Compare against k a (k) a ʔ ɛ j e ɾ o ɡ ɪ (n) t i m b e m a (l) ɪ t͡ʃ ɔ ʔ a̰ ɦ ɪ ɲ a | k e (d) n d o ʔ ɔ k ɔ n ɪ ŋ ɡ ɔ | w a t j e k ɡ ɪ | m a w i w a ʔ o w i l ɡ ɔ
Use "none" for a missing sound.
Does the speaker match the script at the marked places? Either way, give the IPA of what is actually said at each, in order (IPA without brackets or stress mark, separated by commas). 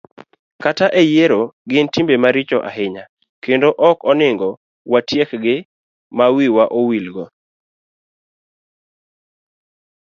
t, n, ɾ, none